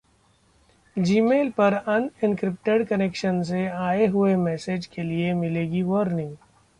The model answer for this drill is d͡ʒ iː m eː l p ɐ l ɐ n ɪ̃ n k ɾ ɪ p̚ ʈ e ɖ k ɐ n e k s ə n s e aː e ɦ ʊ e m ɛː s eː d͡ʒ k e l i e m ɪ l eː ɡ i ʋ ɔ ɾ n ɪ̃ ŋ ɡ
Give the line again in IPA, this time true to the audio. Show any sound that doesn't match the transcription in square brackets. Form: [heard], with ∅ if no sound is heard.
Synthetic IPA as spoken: d͡ʒ iː m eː l p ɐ [ɾ] ɐ n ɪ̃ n k ɾ ɪ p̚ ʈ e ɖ k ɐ n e k [ʃ] ə n s e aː e ɦ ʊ e m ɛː s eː d͡ʒ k e l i e m ɪ l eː ɡ i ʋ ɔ ɾ n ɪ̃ ŋ ɡ